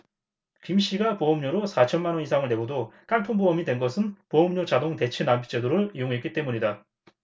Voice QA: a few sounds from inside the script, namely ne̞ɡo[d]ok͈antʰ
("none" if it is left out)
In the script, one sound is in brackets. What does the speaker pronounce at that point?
d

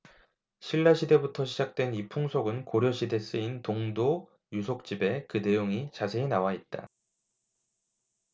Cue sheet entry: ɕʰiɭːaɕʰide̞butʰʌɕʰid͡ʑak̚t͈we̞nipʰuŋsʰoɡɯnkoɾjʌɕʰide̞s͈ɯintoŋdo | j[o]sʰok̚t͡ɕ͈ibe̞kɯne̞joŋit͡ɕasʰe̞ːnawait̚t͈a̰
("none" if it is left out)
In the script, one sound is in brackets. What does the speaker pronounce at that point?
u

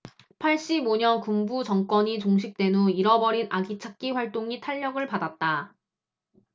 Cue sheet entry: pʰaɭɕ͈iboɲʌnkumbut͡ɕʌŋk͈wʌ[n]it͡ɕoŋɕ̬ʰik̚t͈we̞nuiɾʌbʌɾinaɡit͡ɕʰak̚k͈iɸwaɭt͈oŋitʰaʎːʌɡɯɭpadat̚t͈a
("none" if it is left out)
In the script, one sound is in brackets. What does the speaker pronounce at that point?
ɲ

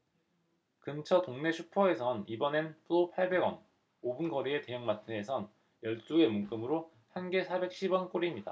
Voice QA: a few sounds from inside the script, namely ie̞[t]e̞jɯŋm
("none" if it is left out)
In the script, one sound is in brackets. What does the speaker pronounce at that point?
t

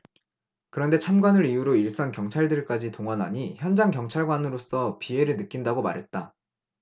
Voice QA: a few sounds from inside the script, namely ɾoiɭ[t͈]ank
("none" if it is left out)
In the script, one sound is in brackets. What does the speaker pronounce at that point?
s͈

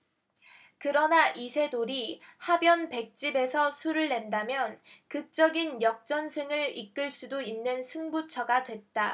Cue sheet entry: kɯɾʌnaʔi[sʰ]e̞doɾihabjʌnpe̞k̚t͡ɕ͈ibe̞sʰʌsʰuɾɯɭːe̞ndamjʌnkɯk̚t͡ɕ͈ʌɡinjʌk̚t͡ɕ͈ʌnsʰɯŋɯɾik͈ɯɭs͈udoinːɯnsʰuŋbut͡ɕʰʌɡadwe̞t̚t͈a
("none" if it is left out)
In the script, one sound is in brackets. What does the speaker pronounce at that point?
sʰ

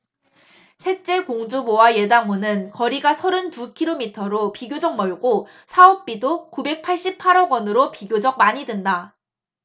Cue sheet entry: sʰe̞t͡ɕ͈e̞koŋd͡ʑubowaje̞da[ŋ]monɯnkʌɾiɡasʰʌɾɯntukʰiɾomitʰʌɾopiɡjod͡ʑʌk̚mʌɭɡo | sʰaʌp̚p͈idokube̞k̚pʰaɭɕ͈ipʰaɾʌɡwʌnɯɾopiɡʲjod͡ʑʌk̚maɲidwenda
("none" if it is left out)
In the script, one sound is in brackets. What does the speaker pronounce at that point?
ŋ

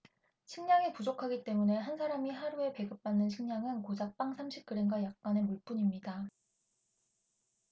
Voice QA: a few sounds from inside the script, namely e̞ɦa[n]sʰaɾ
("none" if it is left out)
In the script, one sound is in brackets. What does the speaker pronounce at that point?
n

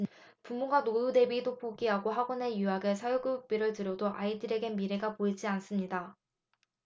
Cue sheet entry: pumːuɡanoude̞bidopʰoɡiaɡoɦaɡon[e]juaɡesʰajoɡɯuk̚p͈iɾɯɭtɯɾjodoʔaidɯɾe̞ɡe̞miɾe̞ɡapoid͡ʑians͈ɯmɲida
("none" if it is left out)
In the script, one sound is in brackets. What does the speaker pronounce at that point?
e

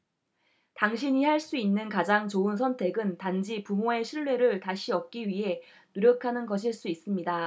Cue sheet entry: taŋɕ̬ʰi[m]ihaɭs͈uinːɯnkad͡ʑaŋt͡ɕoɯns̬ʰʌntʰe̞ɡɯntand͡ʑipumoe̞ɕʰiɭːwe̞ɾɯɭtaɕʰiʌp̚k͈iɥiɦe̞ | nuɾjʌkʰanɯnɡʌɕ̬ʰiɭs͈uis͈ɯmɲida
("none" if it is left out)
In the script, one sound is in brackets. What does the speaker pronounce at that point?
ɲ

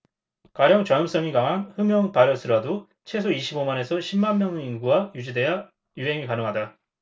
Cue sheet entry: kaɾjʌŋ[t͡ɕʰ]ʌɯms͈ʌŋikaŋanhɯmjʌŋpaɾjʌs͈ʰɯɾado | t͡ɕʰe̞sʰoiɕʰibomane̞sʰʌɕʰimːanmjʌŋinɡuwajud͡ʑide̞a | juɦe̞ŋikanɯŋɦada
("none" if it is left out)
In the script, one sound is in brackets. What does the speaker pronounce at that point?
t͡ɕ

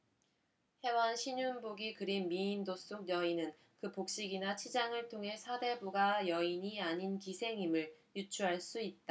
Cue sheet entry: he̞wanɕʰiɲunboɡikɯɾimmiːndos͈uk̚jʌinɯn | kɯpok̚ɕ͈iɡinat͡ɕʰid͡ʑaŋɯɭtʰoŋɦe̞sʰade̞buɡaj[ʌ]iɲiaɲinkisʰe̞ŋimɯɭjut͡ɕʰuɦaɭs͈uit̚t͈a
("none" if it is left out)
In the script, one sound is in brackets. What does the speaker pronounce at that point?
ʌ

